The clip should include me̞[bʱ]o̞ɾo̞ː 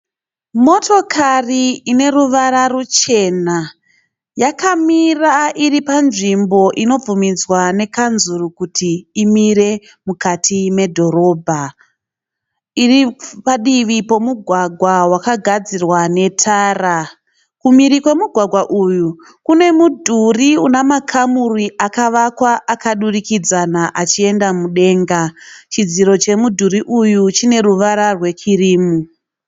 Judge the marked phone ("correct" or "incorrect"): incorrect